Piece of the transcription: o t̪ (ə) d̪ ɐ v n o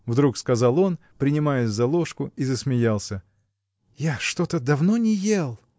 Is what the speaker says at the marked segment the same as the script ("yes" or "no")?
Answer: yes